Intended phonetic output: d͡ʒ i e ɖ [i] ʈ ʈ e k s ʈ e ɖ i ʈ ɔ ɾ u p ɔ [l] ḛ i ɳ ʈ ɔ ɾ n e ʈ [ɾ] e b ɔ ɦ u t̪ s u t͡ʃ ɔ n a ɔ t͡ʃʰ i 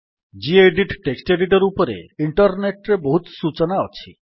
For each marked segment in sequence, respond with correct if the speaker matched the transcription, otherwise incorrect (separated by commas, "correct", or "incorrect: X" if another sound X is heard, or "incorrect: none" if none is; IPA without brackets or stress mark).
correct, incorrect: ɾ, correct